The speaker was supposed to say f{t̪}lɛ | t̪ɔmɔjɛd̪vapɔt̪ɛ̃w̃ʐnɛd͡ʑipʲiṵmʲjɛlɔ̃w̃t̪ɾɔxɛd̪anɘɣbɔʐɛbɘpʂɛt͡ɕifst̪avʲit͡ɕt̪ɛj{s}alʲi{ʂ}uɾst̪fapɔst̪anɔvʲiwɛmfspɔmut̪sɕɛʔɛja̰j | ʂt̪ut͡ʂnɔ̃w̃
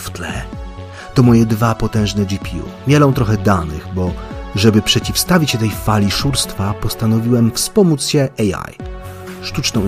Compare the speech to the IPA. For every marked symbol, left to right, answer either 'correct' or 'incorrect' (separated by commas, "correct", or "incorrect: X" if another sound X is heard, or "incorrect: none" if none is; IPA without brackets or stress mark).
correct, incorrect: f, correct